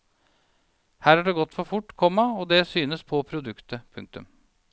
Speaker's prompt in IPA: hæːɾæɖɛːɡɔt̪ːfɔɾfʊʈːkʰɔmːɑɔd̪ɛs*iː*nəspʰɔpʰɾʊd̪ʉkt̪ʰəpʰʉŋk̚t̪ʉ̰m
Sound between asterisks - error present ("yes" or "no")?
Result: yes